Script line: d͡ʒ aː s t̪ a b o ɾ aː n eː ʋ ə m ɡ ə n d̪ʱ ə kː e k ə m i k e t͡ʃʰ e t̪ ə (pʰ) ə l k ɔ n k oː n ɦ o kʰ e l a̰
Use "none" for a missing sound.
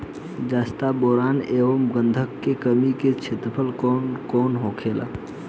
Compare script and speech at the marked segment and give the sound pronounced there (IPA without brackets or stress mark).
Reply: pʰ